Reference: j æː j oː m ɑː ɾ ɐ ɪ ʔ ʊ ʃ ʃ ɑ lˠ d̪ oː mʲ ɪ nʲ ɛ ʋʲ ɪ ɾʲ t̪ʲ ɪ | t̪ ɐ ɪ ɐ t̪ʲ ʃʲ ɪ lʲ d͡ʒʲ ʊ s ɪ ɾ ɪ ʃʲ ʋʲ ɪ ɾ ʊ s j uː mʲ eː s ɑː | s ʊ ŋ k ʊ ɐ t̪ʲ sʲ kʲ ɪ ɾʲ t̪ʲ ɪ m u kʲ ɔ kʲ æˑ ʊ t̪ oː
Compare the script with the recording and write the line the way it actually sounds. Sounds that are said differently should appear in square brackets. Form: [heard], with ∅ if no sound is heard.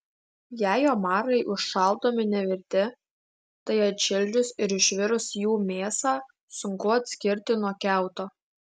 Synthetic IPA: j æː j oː m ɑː ɾ ɐ ɪ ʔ ʊ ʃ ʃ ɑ lˠ d̪ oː mʲ ɪ nʲ ɛ ʋʲ ɪ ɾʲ t̪ʲ ɪ | t̪ ɐ ɪ ɐ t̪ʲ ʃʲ ɪ lʲ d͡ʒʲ ʊ s ɪ ɾ ɪ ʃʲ ʋʲ ɪ ɾ ʊ s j uː mʲ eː s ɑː | s ʊ ŋ k ʊ ɐ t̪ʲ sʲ kʲ ɪ ɾʲ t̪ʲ ɪ [n] u [∅] ɔ kʲ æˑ ʊ t̪ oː